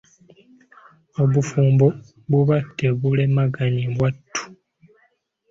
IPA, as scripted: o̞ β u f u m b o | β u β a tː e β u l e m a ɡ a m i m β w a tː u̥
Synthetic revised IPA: o̞ β u f uː m b o | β u β a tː e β u l e m a ɡ a ɲ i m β w a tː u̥